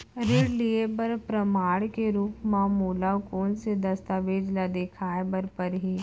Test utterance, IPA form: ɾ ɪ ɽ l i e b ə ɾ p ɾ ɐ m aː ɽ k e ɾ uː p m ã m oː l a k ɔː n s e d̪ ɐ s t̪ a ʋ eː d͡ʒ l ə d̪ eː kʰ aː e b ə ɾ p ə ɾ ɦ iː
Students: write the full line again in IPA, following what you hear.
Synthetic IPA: ɾ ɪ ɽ l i e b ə ɾ p ɾ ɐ m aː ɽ k e ɾ uː p m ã m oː l a k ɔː n s e d̪ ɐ s t̪ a ʋ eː d͡ʒ l a d̪ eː kʰ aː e b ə ɾ p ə ɾ ɦ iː